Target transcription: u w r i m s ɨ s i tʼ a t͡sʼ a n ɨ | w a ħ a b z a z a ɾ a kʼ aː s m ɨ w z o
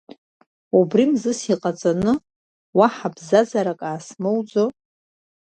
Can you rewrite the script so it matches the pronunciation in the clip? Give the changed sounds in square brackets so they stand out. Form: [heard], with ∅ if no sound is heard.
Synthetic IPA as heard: u [b] r i m [z] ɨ s i [qʼ] a t͡sʼ a n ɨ | w a ħ a b z a z a ɾ a kʼ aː s m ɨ w [d͡z] o